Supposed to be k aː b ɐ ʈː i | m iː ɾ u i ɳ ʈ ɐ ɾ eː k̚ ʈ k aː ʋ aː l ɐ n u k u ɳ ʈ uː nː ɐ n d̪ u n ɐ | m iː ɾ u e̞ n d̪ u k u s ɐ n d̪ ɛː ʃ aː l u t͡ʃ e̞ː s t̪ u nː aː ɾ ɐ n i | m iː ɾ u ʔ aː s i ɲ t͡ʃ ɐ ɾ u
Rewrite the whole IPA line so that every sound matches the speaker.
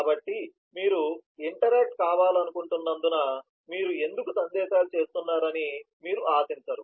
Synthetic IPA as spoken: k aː b ɐ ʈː i | m iː ɾ u i ɳ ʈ ɐ ɾ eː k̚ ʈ k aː ʋ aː l ɐ n u k u ɳ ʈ u nː ɐ n d̪ u n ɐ | m iː ɾ u e̞ n d̪ u k u s ɐ n d̪ ɛː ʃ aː l u t͡ʃ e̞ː s t̪ u nː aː ɾ ɐ n i | m iː ɾ u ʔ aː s i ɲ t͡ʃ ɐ ɾ u